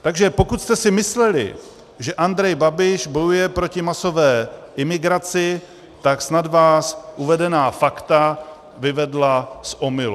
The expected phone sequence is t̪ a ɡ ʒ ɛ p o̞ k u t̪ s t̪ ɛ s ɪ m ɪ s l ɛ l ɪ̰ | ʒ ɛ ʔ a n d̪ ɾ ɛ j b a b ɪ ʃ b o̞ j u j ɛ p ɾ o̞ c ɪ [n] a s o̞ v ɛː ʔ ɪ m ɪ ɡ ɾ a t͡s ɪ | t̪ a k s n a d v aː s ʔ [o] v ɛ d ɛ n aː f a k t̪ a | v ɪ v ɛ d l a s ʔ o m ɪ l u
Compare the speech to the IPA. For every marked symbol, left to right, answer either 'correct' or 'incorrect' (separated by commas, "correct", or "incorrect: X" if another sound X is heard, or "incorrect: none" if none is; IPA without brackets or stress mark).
incorrect: m, incorrect: u